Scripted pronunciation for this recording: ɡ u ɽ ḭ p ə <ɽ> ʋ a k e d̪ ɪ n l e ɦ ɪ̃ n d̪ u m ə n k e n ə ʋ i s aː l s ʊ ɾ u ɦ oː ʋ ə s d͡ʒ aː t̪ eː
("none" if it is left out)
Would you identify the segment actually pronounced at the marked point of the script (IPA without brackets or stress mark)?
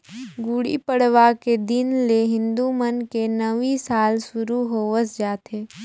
ɽ